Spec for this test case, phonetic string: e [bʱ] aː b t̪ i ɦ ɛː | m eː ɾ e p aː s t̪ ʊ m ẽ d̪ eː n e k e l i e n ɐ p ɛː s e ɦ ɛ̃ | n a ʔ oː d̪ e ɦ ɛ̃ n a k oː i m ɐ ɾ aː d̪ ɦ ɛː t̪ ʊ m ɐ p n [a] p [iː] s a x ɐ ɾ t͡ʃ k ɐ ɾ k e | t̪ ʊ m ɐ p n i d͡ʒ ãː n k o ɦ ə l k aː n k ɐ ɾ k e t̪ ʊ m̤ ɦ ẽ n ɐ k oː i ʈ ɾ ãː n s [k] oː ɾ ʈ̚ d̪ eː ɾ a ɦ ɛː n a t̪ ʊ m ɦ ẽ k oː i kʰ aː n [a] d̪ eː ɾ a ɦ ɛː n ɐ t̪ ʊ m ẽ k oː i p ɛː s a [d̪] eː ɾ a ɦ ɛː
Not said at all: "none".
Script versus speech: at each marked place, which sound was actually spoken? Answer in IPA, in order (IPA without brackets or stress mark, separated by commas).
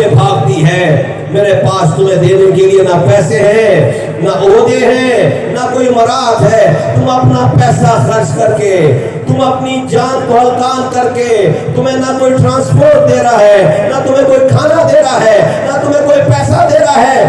bʱ, a, ɛː, p, a, d̪